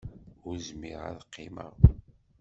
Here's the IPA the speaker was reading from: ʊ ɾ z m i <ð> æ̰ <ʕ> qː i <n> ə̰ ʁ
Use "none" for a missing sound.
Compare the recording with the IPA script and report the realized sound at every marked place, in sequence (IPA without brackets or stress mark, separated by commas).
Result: ʁ, ð, m